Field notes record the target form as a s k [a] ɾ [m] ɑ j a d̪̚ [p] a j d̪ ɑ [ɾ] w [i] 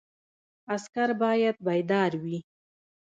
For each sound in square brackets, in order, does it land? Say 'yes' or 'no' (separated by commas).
yes, no, no, yes, yes